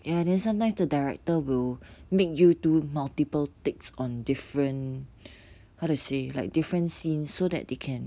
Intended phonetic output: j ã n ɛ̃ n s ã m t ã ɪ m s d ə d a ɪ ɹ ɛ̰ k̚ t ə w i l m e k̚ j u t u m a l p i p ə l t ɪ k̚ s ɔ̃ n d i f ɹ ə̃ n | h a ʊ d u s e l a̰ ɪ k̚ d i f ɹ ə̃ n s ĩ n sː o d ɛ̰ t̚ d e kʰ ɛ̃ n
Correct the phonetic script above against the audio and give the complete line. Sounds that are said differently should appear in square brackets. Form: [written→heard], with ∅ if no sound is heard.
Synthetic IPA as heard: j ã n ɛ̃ n s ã m t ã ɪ m s d ə d a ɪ ɹ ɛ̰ k̚ t ə w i l m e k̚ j u t u m a l [p→t] i p ə l t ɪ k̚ s ɔ̃ n d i f ɹ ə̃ n | h a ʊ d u s e l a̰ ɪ k̚ d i f ɹ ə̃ n s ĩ n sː o d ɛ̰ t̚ d e kʰ ɛ̃ n